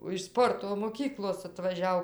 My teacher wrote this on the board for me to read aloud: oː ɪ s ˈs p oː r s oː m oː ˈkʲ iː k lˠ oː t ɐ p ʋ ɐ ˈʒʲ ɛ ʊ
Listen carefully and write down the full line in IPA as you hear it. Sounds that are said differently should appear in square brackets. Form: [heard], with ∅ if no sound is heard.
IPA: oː ɪ [ʃ] ˈs p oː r [t] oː m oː ˈkʲ iː k lˠ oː [s] ɐ [t] ʋ ɐ ˈʒʲ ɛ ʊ